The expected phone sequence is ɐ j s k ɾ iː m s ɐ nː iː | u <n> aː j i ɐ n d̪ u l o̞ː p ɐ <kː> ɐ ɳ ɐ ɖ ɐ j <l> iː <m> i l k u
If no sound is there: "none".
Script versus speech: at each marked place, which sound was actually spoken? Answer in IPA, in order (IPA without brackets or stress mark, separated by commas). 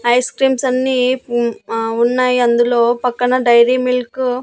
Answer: nː, kː, ɾ, m